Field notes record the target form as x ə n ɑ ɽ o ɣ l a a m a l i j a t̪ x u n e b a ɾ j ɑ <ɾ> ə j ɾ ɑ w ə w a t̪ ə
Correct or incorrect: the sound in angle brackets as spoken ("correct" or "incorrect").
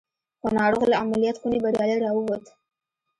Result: incorrect